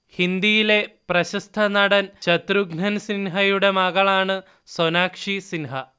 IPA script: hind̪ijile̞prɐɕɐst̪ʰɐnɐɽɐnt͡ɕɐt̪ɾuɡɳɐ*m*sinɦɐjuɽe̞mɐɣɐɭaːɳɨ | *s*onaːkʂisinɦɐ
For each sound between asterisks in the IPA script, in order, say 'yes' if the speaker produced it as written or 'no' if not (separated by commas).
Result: no, yes